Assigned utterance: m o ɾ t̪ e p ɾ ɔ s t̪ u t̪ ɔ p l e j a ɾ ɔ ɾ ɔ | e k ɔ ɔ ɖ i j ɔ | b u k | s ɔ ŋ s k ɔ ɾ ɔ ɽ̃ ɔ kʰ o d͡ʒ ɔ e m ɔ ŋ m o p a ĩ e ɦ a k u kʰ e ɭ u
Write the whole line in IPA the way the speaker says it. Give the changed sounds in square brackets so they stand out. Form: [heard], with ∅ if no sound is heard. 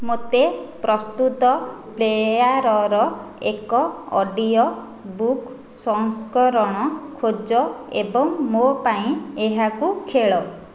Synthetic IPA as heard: m o [∅] t̪ e p ɾ ɔ s t̪ u t̪ ɔ p l e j a ɾ ɔ ɾ ɔ | e k ɔ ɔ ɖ i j ɔ | b u k | s ɔ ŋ s k ɔ ɾ ɔ ɽ̃ ɔ kʰ o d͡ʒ ɔ e [b] ɔ ŋ m o p a ĩ e ɦ a k u kʰ e ɭ [ɔ]